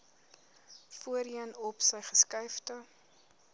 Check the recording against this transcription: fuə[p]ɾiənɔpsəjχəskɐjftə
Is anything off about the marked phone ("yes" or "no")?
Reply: yes